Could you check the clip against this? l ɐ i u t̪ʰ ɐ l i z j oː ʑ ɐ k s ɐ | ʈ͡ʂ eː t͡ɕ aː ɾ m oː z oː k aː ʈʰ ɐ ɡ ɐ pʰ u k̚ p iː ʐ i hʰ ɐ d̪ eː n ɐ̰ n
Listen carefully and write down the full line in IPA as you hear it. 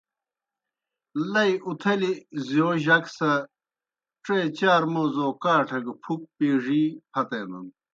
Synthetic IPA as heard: l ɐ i u t̪ʰ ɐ l i z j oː ʑ ɐ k s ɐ | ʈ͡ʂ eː t͡ɕ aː ɾ m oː z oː k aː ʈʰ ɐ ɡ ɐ pʰ u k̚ p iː ʐ i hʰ ɐ t̪ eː n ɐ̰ n